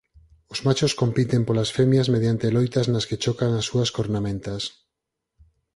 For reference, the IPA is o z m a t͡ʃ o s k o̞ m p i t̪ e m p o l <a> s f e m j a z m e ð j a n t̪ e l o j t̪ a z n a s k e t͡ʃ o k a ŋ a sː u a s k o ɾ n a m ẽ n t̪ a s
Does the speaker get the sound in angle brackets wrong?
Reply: no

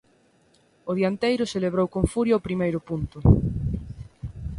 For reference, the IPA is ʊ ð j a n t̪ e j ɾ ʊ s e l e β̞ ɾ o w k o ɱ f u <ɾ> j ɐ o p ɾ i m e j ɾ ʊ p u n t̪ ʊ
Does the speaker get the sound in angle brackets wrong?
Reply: no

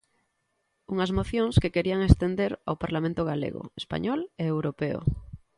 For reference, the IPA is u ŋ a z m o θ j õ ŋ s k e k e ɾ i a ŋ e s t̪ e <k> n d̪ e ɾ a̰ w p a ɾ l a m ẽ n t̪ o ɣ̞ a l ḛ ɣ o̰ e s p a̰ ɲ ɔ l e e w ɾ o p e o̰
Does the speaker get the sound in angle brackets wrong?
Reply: yes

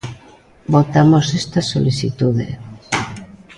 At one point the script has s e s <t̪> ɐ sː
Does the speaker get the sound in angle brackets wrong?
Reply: no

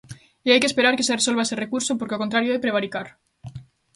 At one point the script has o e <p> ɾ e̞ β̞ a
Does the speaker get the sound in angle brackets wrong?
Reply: no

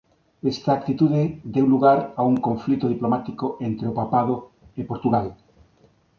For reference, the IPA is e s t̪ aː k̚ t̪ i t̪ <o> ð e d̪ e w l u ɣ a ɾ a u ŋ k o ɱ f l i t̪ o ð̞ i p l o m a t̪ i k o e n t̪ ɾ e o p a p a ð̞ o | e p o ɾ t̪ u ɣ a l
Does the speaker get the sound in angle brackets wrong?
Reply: yes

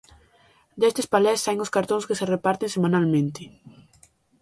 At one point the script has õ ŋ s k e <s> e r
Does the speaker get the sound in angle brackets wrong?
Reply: no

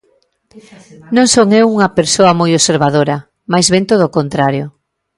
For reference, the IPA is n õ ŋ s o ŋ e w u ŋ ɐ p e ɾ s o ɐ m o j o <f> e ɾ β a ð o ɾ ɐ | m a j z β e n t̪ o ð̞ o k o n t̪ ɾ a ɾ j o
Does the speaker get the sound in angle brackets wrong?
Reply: yes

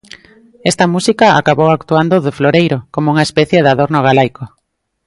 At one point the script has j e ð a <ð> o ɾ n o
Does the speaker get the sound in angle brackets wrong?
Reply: no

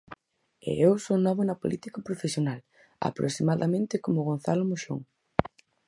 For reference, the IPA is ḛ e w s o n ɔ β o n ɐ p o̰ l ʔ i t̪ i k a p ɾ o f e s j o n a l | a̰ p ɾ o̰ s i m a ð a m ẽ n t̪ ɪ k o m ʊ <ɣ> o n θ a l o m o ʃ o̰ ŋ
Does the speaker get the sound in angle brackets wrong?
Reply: no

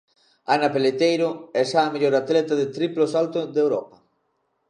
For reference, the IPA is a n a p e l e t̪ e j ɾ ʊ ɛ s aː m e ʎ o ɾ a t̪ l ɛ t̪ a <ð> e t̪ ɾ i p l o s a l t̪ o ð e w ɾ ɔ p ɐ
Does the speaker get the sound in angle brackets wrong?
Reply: no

